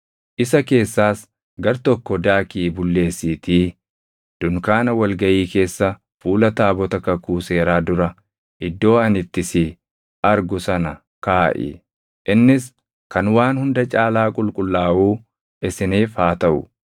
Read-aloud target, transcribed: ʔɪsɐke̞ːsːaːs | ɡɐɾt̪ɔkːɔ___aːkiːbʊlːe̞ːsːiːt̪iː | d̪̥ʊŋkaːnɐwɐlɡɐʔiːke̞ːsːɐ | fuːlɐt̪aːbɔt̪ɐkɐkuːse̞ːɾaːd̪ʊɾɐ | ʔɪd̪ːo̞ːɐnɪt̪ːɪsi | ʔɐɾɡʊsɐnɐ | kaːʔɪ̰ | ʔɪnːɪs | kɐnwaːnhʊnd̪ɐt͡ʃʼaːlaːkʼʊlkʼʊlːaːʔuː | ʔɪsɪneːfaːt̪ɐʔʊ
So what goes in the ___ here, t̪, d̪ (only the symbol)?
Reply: d̪